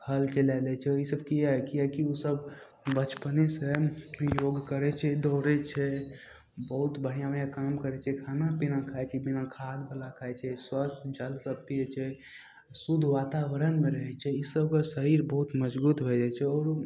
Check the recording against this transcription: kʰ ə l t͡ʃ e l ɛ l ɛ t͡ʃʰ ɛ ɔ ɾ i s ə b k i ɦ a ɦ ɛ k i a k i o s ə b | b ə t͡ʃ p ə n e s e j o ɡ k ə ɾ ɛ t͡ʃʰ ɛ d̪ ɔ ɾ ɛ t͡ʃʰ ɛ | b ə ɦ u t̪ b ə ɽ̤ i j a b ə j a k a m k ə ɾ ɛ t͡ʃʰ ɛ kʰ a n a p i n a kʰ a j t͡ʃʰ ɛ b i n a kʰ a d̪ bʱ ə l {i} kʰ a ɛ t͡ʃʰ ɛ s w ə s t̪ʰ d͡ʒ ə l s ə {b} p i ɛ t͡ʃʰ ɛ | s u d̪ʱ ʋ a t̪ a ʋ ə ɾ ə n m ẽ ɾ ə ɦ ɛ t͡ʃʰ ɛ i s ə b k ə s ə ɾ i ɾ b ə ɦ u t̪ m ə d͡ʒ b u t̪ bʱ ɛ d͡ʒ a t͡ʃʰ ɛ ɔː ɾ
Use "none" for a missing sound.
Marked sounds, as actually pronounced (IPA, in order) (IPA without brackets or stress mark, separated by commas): a, b